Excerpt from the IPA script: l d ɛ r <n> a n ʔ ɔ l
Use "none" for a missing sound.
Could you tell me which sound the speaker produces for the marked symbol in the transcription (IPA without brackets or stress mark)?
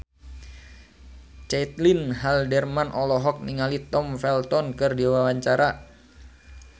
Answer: m